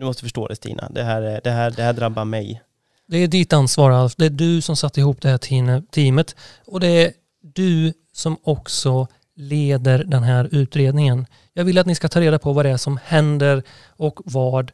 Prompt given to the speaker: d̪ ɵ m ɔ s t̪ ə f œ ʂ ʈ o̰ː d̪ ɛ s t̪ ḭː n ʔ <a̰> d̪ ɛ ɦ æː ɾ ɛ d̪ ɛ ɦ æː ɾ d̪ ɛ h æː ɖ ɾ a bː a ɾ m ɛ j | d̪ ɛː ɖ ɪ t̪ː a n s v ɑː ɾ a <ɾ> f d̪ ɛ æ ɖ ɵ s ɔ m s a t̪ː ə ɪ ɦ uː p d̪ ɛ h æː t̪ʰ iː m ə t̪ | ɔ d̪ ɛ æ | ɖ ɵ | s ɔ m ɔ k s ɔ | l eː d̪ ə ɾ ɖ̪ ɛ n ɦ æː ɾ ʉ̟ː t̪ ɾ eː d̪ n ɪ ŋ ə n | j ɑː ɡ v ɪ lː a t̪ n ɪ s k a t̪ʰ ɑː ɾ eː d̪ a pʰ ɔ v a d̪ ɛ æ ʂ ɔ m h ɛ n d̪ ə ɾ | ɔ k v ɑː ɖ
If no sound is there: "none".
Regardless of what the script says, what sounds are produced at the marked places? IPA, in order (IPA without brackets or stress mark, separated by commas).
a̰, l